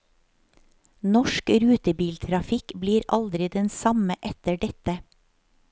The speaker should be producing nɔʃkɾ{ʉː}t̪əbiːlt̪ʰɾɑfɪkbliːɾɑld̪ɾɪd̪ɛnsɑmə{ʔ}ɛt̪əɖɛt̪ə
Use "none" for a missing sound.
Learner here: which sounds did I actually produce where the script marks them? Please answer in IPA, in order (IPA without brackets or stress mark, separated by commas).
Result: ʉː, ʔ